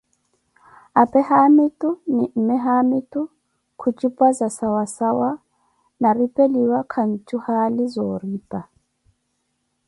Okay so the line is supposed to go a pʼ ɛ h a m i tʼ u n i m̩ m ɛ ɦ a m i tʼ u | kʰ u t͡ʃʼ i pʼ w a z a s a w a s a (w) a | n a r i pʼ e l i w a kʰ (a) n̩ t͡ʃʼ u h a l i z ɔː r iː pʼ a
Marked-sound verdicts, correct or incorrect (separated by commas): correct, correct